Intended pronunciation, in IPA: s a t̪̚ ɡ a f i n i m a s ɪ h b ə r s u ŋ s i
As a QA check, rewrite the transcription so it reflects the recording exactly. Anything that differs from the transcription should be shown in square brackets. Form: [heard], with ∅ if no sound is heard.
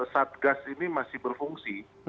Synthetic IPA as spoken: s a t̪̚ ɡ a [s] i n i m a s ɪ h b ə r [f] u ŋ s i